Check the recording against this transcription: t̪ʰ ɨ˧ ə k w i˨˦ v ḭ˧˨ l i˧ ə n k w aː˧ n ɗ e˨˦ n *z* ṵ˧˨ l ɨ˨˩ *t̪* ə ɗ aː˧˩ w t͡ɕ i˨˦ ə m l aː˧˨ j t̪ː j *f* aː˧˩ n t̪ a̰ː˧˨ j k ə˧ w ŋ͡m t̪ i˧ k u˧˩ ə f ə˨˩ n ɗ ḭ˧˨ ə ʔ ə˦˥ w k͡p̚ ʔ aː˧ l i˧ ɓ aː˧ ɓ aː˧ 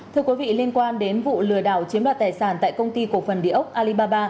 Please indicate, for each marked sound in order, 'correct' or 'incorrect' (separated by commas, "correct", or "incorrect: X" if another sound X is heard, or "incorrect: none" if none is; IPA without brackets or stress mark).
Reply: incorrect: v, incorrect: none, incorrect: s